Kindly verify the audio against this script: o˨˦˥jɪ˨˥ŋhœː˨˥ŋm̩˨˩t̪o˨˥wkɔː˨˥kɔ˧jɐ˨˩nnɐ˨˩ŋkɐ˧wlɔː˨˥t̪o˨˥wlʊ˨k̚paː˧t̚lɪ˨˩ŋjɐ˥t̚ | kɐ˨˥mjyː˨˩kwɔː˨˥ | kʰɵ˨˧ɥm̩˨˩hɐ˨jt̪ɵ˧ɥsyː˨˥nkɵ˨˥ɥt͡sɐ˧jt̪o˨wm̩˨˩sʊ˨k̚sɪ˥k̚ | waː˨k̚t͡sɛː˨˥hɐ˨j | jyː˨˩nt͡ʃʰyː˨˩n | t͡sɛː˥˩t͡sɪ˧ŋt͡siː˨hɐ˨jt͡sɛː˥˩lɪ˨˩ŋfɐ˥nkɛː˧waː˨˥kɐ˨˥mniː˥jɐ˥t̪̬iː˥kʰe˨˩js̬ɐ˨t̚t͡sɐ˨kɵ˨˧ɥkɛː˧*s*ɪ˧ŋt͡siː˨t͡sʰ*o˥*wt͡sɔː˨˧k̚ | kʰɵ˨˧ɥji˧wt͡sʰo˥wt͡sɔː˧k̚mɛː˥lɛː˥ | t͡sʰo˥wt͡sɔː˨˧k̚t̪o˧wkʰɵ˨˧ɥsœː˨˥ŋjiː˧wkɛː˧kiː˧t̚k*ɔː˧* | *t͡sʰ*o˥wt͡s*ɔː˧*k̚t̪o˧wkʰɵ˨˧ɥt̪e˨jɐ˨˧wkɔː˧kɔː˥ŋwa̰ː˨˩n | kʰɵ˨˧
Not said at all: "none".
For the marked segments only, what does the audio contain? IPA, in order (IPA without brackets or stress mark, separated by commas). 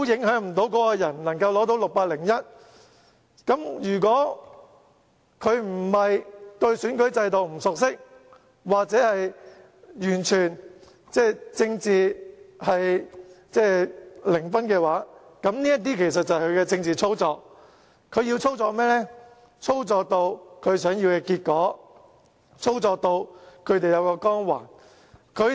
t͡s, o˥, ɔː˨˥, t͡sʰ, ɔː˧